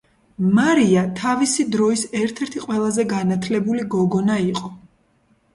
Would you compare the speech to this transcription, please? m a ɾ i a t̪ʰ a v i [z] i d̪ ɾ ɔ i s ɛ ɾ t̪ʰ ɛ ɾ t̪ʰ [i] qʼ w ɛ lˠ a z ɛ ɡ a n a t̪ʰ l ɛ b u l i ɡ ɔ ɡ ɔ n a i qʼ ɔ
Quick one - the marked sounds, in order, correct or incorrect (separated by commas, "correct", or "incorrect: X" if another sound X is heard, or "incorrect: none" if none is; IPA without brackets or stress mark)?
incorrect: s, correct